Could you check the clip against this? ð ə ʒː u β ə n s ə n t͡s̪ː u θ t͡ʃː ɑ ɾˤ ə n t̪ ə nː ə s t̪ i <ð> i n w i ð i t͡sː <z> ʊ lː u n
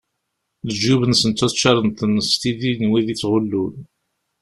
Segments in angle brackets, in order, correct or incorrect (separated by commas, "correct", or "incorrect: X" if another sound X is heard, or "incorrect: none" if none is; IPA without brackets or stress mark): correct, incorrect: ʁ